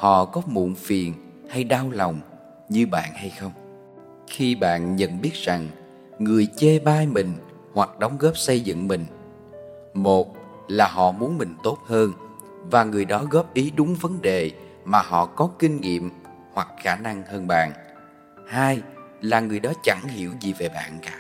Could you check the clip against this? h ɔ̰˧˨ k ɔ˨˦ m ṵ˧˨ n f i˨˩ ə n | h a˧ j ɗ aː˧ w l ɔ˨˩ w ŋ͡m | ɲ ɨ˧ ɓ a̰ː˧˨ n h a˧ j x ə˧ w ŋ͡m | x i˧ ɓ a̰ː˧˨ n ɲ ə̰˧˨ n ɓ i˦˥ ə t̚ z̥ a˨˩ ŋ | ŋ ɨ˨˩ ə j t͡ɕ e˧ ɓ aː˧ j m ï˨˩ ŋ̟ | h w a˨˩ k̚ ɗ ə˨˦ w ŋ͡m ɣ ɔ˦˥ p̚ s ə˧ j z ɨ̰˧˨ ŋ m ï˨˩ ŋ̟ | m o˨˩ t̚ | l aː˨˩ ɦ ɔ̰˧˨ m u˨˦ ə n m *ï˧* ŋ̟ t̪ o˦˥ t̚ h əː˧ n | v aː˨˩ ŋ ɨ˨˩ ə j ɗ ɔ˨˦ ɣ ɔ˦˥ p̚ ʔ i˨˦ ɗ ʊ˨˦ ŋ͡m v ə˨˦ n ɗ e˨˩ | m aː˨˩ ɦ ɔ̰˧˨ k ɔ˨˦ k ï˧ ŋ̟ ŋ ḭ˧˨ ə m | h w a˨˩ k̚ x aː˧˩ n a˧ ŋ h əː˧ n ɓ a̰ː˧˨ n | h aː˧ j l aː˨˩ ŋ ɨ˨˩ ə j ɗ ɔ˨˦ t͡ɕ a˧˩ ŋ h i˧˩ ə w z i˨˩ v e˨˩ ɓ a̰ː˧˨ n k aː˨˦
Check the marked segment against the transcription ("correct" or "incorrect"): incorrect